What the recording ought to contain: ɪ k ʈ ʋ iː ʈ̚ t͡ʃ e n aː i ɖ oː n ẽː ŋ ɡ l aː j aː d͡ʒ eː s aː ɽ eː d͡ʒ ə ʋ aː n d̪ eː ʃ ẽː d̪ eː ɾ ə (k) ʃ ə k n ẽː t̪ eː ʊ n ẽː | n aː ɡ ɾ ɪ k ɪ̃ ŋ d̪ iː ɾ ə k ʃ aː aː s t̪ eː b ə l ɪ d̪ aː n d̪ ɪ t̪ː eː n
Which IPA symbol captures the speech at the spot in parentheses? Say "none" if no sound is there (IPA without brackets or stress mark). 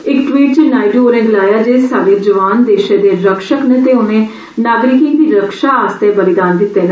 k